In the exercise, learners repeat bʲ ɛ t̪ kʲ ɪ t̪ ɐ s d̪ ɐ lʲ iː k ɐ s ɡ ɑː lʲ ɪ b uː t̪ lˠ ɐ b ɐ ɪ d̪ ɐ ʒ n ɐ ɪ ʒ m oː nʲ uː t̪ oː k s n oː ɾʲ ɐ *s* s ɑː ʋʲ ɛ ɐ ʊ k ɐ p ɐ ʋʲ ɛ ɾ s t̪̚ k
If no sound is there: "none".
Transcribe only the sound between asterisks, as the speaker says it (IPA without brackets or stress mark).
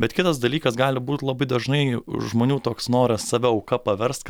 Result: s